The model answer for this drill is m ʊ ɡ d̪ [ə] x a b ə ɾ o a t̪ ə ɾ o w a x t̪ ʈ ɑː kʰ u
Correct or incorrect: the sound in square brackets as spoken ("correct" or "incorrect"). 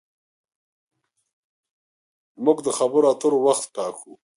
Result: correct